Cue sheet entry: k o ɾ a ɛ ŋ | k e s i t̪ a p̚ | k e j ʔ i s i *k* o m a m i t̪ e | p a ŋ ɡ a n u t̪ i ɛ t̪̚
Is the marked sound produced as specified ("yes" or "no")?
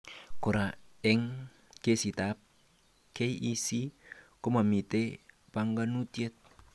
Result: yes